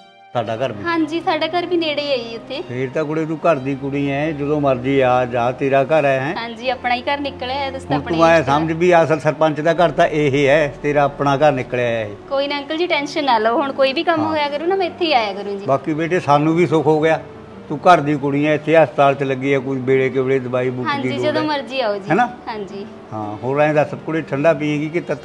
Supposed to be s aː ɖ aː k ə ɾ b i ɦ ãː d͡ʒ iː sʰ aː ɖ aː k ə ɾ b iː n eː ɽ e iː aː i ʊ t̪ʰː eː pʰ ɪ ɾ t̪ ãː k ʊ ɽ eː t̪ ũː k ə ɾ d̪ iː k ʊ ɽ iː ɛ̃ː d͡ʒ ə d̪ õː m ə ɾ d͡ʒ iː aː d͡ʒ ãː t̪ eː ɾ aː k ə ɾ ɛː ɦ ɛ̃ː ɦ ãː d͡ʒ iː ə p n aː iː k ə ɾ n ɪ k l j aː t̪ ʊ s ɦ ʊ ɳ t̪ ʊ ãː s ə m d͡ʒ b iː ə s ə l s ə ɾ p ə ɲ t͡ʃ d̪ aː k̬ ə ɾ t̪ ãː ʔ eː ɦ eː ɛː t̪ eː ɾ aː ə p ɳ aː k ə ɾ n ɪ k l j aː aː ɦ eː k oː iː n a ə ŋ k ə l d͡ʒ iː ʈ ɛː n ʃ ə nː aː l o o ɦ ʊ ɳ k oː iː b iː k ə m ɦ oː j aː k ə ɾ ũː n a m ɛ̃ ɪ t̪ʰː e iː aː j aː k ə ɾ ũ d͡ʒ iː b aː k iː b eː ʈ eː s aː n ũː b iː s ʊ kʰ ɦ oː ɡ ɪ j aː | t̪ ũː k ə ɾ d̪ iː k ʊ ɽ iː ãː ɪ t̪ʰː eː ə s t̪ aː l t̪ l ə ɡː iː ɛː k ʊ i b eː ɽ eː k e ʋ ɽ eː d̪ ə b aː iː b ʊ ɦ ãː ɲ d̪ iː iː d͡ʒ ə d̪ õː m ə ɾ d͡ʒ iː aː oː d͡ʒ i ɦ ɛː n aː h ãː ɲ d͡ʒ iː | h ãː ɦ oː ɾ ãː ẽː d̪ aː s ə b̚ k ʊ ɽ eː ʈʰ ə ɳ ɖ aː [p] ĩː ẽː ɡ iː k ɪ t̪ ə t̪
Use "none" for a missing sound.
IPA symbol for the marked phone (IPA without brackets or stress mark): p